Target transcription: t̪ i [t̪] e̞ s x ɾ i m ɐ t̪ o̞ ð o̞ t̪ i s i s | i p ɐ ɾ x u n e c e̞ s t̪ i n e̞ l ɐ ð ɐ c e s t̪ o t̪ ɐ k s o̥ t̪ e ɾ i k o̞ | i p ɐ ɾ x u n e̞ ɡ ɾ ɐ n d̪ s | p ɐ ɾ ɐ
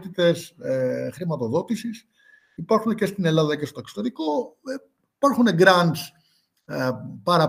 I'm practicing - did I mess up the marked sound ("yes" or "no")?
no